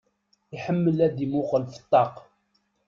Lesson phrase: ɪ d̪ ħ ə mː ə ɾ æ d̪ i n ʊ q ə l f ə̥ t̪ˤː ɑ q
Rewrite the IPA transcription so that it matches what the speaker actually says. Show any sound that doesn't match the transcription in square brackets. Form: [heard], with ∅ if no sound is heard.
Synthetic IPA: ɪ [∅] ħ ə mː ə [l] æ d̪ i [m] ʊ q ə l f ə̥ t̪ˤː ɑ q